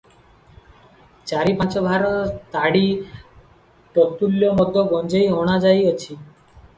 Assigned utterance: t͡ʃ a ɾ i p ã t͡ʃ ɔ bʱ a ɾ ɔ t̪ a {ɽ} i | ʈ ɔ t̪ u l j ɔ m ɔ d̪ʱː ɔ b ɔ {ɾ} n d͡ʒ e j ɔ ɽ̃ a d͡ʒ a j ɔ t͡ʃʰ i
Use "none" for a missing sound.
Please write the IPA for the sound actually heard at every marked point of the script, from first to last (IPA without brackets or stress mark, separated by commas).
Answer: ɽ, none